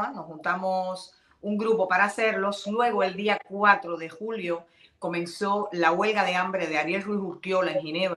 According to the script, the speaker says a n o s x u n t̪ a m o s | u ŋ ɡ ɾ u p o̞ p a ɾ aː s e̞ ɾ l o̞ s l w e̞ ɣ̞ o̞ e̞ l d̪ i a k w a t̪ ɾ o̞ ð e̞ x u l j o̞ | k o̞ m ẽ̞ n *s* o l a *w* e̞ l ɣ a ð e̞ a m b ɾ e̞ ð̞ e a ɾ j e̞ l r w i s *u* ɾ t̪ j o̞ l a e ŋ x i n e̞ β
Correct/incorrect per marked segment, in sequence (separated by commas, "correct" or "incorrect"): correct, correct, correct